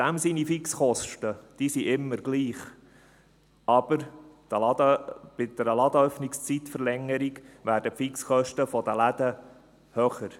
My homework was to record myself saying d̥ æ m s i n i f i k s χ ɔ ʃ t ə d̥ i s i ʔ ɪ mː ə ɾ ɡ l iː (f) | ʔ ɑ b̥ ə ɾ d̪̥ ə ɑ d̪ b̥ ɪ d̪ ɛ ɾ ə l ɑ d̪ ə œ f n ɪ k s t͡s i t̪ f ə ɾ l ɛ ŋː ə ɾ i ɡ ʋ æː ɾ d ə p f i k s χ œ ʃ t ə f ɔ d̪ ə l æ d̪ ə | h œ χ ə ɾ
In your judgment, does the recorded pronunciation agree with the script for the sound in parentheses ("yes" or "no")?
no